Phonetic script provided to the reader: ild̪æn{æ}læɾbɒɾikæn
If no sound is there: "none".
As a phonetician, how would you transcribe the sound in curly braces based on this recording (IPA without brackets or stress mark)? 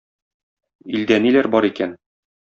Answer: i